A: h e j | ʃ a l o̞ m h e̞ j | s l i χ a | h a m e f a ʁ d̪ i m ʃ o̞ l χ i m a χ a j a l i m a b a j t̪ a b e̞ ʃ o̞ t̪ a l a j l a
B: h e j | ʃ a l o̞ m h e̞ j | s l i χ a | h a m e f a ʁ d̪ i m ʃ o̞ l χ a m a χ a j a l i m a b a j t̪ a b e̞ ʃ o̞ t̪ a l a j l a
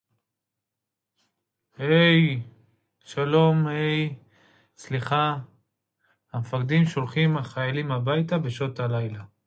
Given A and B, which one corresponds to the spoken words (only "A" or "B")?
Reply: A